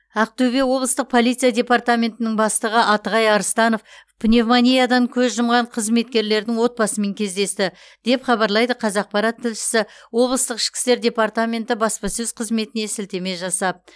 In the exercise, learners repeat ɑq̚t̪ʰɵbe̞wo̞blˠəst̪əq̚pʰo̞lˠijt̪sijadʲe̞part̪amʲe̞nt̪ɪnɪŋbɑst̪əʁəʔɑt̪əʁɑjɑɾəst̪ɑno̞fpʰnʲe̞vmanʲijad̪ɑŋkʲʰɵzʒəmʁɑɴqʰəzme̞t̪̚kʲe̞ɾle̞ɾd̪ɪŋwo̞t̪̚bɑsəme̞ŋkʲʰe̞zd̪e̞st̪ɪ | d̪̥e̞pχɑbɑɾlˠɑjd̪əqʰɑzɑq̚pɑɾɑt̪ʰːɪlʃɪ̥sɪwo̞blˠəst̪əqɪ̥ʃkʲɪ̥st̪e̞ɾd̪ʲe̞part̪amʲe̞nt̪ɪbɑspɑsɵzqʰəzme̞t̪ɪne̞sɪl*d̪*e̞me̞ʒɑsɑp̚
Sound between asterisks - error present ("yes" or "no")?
yes